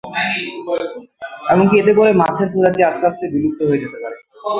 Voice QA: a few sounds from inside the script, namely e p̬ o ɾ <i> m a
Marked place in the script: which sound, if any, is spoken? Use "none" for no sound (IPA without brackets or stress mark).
e